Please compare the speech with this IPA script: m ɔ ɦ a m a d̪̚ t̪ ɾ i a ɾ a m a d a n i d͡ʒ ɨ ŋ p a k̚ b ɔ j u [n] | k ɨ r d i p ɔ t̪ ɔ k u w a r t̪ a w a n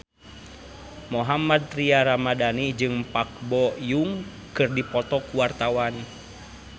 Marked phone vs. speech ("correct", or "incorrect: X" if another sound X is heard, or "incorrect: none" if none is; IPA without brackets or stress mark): incorrect: ŋ